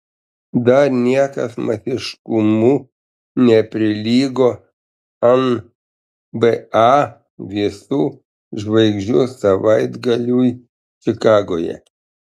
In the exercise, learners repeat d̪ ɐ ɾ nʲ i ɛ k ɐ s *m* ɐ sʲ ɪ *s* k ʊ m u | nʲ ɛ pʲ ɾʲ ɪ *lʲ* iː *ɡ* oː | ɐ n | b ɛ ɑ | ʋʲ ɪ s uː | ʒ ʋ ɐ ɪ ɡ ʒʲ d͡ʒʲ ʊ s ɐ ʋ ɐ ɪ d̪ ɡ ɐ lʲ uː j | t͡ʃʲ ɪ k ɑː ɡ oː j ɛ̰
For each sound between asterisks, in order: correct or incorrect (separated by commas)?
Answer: correct, incorrect, correct, correct